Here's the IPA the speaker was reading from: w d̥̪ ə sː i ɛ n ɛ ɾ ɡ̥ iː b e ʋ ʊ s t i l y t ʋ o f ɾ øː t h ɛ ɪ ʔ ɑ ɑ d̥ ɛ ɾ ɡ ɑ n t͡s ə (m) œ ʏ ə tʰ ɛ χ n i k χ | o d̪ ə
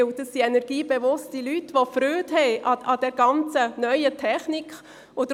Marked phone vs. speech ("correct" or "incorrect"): incorrect